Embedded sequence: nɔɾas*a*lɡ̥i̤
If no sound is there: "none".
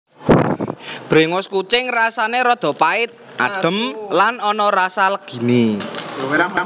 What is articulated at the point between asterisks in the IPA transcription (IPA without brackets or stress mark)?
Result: a